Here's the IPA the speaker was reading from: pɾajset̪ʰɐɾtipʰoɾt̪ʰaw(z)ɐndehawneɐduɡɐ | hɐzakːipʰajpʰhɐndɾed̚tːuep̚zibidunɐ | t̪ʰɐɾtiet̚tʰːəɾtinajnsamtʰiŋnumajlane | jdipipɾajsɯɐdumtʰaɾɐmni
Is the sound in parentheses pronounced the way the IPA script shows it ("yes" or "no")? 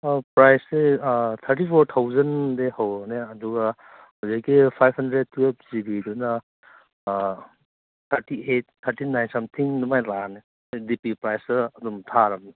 yes